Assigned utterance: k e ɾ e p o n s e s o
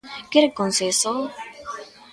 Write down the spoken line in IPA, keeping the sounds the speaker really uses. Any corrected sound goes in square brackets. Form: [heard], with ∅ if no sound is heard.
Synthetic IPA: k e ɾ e [k] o n s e s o